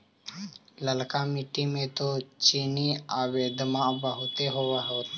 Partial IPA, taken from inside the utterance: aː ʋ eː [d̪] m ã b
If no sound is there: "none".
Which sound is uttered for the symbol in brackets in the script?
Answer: d̪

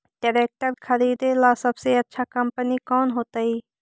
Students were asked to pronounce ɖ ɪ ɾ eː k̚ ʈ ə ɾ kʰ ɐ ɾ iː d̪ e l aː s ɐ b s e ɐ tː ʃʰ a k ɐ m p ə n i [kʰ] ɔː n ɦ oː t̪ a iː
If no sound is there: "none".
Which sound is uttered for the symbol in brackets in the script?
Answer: k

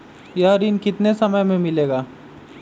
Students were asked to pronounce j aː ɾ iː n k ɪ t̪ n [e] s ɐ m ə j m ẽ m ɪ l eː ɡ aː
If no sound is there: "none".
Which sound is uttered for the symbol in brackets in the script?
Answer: e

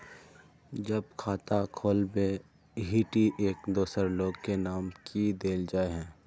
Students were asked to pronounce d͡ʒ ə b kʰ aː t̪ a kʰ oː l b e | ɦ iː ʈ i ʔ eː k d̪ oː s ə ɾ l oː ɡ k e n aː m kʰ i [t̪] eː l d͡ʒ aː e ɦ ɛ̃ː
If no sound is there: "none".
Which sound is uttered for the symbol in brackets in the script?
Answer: d̪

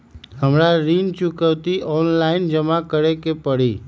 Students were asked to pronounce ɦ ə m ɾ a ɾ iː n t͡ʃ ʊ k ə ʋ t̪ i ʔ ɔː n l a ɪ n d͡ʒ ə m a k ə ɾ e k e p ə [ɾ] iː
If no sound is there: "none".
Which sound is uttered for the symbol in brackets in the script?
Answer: ɽ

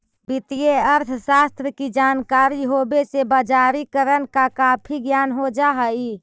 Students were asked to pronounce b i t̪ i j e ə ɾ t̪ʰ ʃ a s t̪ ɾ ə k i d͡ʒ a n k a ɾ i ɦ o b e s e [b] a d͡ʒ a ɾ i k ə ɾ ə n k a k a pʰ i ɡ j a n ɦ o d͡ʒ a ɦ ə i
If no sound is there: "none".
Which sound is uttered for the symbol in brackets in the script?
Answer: b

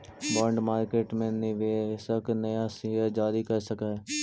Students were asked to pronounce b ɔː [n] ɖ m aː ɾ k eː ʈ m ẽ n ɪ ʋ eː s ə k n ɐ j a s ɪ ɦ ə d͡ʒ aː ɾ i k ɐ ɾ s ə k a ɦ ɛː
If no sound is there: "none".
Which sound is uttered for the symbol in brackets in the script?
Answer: ɳ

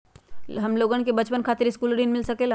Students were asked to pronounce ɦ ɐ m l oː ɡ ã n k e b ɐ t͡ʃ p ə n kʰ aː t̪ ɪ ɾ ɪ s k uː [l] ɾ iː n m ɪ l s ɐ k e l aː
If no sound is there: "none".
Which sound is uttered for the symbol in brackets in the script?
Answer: l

